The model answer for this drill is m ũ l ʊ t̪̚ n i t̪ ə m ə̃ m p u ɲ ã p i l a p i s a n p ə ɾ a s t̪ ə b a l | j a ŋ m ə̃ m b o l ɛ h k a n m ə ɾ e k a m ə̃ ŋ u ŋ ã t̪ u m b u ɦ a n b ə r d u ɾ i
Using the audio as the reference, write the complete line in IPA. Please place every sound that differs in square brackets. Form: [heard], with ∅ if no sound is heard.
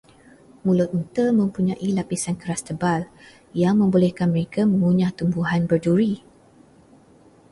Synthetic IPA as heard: m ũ l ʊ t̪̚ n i t̪ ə m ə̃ m p u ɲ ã [ʔ] i l a p i s a n [k] ə ɾ a s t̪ ə b a l | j a ŋ m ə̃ m b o l ɛ h k a n m ə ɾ e k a m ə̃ ŋ u [ɲ] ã t̪ u m b u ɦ a n b ə r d u ɾ i